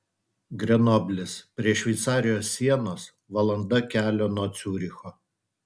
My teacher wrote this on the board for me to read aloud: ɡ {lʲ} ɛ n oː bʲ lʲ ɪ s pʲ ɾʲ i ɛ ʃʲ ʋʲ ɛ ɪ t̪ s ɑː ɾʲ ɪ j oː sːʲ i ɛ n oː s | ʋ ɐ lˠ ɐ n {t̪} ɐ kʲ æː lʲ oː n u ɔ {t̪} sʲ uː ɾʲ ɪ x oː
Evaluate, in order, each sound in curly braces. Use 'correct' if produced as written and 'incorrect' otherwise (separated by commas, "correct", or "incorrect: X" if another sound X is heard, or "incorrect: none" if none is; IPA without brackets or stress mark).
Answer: incorrect: ɾʲ, incorrect: d̪, correct